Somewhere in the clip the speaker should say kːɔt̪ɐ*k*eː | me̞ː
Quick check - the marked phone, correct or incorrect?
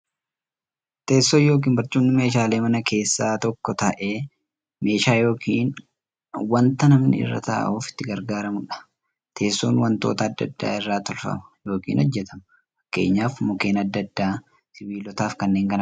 incorrect